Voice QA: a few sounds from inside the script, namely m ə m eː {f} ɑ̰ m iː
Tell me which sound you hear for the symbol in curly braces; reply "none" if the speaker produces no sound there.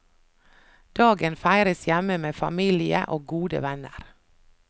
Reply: f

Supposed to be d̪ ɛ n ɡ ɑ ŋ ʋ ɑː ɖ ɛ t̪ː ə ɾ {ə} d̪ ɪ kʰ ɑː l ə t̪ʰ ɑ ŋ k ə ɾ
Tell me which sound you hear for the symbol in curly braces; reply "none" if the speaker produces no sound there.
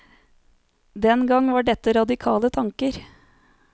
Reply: ɑ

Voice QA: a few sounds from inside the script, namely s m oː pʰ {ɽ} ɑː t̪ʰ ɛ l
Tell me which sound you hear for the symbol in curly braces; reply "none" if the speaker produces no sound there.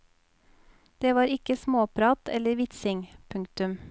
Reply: ɾ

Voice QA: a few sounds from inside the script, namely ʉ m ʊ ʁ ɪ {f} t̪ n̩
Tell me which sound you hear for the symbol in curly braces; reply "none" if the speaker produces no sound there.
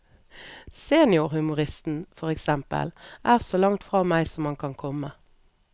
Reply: s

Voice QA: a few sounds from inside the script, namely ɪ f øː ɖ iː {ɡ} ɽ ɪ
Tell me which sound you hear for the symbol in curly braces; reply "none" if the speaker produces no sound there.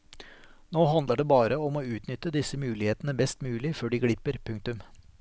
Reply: ɡ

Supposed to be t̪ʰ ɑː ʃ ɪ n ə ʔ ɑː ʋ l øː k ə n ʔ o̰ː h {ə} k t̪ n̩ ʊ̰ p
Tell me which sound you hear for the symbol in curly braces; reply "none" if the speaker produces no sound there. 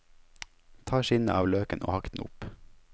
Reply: ɑ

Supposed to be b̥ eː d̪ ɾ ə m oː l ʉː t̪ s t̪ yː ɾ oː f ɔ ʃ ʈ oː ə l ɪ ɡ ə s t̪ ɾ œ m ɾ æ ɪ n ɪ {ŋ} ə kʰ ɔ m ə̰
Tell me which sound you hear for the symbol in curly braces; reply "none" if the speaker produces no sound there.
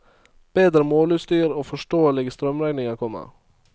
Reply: ŋ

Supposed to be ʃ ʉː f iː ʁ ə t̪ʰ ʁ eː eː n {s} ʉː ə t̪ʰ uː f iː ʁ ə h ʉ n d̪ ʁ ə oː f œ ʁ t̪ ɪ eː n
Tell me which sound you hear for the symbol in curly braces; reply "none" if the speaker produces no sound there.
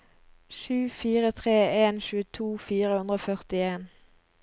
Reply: ʃ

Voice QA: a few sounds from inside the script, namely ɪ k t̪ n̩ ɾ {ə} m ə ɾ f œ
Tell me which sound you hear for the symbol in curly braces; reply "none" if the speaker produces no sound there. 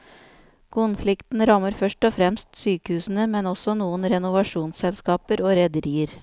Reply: ɑ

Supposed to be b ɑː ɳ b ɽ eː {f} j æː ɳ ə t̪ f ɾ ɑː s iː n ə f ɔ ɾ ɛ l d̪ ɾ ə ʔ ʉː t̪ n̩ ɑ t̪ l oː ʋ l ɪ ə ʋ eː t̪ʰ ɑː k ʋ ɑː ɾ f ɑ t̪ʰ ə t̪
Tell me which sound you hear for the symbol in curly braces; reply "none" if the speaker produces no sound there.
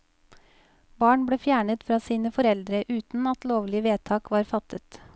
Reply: f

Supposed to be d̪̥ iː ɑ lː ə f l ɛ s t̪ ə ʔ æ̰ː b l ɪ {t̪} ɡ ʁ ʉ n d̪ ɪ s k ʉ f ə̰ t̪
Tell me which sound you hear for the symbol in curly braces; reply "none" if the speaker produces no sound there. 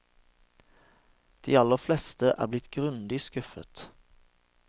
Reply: t̪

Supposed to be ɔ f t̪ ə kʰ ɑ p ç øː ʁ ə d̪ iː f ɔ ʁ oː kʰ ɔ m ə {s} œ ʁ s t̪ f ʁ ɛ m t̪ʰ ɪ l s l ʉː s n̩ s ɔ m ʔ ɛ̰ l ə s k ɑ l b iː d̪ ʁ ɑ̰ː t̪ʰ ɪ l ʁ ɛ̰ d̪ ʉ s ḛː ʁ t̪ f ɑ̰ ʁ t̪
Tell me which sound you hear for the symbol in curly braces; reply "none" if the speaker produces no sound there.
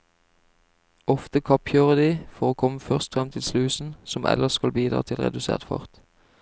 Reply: f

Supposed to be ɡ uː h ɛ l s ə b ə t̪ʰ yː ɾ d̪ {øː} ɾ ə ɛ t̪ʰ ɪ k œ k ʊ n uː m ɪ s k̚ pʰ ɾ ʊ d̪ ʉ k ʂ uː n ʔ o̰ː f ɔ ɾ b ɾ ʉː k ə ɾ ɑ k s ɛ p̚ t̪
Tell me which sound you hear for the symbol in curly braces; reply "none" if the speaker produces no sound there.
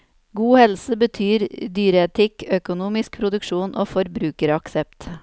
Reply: yː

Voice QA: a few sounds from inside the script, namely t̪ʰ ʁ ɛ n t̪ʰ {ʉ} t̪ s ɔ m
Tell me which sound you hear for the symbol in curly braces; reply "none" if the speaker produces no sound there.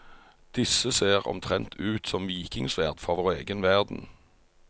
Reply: ʉː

